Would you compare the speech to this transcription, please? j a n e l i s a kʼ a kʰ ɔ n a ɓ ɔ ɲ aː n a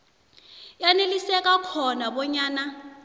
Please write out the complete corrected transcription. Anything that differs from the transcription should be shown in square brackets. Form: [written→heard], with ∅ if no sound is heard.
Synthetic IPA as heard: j a n e l i s [a→ɛ] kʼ a kʰ ɔ n a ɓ ɔ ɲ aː n a